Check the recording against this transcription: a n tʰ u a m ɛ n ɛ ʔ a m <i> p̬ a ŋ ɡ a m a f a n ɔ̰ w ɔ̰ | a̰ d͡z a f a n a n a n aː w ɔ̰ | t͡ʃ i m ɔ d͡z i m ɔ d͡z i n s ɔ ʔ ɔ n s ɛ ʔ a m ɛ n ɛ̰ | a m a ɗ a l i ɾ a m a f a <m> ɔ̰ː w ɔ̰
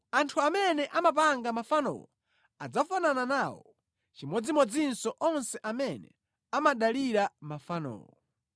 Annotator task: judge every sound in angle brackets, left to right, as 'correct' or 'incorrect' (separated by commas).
incorrect, incorrect